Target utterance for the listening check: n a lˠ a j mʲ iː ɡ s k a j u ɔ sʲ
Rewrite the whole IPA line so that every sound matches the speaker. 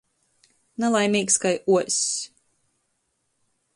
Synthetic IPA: n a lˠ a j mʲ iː k s k a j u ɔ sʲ